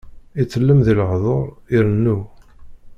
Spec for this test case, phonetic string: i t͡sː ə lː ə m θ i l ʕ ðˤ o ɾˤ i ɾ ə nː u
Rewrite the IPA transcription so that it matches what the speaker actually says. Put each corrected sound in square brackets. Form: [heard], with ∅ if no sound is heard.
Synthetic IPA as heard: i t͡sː ə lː ə m [ð] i l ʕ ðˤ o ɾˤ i ɾ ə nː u